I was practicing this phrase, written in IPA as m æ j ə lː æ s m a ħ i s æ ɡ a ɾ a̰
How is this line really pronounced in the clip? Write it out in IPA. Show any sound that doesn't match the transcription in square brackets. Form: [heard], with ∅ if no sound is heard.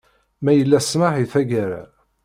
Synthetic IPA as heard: m æ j ə lː æ s m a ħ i [θ] æ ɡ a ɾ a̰